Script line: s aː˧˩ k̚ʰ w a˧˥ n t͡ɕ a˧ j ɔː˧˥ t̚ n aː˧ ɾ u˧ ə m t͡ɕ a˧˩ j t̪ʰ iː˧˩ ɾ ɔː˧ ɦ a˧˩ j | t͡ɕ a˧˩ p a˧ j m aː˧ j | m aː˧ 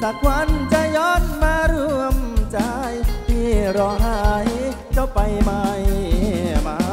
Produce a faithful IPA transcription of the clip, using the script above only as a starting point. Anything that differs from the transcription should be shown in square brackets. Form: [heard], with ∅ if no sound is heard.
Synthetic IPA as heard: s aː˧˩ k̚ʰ w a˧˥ n t͡ɕ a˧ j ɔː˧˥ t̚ [m] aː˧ ɾ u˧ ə m t͡ɕ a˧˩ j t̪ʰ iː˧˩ ɾ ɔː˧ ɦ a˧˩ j | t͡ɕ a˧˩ p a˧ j m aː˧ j | m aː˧